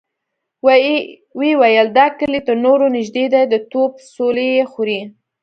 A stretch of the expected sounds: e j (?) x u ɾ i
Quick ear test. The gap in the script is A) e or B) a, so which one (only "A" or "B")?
A